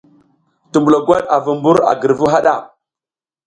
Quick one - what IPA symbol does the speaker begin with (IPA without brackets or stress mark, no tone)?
t